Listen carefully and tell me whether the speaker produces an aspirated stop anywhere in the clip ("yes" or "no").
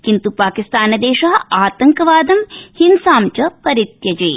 no